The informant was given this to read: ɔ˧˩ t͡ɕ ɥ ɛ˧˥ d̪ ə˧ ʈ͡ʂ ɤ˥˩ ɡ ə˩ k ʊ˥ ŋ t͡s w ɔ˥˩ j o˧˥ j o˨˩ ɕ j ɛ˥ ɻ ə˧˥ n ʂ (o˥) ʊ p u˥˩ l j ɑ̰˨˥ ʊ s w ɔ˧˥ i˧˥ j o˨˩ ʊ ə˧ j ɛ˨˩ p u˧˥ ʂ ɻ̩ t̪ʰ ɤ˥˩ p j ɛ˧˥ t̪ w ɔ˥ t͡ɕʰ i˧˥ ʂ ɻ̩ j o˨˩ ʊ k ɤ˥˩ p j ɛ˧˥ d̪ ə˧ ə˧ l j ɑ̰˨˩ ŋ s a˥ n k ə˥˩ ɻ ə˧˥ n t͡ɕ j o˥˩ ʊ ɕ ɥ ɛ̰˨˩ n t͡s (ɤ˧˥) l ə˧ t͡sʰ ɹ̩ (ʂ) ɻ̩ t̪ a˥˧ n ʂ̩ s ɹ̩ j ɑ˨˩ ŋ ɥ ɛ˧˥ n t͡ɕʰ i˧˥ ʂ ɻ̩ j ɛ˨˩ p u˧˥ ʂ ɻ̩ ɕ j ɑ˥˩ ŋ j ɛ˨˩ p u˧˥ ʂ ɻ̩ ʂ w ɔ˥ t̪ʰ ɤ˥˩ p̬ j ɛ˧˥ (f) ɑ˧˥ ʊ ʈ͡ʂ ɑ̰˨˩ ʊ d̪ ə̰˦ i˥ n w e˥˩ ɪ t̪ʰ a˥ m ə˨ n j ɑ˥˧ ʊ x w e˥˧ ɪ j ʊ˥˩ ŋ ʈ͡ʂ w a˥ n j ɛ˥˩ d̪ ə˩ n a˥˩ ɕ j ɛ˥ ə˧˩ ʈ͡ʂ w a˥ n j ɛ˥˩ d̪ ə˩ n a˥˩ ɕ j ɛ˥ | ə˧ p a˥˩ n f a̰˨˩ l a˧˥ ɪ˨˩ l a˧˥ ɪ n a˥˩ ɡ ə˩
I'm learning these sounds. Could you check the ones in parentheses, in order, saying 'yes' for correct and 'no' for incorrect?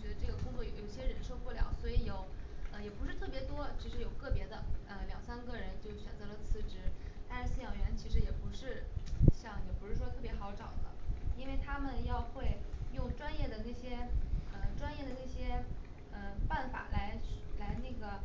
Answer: no, yes, no, no

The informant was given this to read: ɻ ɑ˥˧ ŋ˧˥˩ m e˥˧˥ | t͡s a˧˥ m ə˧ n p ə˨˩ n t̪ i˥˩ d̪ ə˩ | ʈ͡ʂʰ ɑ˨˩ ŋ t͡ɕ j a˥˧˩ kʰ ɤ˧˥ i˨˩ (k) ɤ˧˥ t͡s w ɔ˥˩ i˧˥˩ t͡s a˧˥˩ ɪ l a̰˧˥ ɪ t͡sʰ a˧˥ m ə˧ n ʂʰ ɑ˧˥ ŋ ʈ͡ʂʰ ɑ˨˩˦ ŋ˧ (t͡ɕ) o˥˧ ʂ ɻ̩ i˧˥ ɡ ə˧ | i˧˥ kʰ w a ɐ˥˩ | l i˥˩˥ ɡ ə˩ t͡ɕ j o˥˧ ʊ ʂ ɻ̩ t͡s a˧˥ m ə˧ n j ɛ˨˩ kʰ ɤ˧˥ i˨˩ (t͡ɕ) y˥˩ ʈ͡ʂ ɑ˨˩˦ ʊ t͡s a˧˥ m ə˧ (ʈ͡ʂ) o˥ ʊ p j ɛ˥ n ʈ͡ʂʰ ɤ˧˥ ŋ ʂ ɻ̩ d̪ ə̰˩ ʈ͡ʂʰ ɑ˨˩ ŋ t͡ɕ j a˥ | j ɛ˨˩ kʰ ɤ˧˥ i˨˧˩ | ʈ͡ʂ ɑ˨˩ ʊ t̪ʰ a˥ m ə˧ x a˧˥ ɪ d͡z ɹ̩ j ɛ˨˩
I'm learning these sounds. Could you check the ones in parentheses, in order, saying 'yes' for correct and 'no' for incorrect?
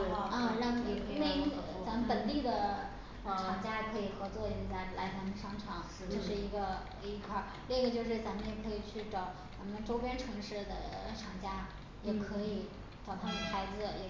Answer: no, yes, no, yes

